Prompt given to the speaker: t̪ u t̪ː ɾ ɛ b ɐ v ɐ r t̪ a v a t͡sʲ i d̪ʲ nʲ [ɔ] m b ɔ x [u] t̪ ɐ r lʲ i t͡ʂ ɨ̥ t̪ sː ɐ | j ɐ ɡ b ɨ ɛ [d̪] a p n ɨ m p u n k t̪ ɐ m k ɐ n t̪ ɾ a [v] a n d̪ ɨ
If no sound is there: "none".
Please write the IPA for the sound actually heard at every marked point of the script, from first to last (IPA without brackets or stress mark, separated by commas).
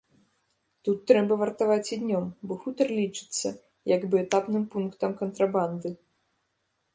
ɔ, u, t̪, b